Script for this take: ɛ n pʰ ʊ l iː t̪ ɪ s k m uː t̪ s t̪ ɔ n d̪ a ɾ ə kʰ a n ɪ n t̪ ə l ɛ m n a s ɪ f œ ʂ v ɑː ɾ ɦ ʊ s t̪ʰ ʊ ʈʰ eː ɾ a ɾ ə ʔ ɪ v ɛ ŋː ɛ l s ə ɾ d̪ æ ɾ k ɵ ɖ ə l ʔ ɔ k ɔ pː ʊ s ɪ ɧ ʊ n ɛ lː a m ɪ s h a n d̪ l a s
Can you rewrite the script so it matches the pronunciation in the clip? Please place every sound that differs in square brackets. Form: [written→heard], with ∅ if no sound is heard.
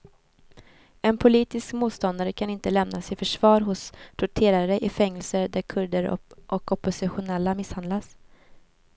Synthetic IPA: ɛ n pʰ ʊ l iː t̪ ɪ s k m uː t̪ s t̪ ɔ n d̪ a ɾ ə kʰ a n ɪ n t̪ ə l ɛ m n a s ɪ f œ ʂ v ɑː ɾ ɦ ʊ s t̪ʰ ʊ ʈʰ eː ɾ a ɾ ə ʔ ɪ [v→f] ɛ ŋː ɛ l s ə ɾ d̪ æ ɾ [k→kʰ] ɵ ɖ ə [l→ɾ] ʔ ɔ k ɔ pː ʊ s ɪ ɧ ʊ n ɛ lː a m ɪ s h a n d̪ l a s